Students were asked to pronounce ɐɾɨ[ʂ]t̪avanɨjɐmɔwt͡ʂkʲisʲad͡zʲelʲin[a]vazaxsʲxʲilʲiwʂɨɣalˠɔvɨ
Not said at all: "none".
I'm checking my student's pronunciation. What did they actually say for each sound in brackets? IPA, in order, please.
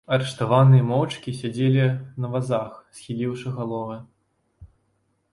ʂ, ɐ

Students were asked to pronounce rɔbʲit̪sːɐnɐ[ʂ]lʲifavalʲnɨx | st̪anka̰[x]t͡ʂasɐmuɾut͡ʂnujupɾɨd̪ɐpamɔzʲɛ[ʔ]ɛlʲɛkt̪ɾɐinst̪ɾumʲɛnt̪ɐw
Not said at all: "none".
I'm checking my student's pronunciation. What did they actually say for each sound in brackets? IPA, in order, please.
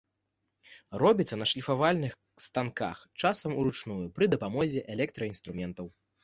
ʂ, x, ʔ

